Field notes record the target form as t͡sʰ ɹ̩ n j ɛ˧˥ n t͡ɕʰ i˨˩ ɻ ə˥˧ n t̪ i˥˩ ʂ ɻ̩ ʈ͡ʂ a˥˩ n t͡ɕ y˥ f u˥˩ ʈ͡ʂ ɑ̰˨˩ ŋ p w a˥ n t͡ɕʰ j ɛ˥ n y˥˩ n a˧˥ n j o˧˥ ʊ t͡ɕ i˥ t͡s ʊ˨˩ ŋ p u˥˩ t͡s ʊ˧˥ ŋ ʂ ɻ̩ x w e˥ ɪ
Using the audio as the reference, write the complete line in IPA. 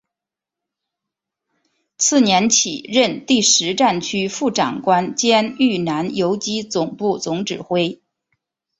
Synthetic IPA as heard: t͡sʰ ɹ̩ n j ɛ˧˥ n t͡ɕʰ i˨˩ ɻ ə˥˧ n t̪ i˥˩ ʂ ɻ̩ ʈ͡ʂ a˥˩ n t͡ɕʰ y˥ f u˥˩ ʈ͡ʂ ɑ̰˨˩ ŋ k w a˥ n t͡ɕ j ɛ˥ n y˥˩ n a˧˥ n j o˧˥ ʊ t͡ɕ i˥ t͡s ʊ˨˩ ŋ p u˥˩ t͡s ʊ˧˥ ŋ ʈ͡ʂ ɻ̩ x w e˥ ɪ